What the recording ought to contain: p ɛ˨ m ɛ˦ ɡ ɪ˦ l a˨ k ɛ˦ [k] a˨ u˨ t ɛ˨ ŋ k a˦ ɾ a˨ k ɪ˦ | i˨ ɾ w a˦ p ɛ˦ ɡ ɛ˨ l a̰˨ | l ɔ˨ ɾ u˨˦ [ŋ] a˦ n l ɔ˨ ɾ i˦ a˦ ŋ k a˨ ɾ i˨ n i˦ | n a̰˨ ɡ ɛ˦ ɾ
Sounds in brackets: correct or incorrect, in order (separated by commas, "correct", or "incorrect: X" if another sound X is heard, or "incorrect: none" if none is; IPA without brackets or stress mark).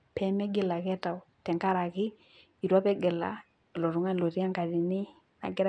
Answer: incorrect: t, correct